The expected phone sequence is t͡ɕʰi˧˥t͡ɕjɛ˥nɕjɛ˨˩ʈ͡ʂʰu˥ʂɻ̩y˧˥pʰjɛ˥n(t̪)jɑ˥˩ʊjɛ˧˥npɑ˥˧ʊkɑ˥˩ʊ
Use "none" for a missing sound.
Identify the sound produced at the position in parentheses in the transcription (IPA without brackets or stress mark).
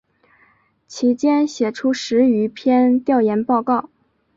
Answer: t̪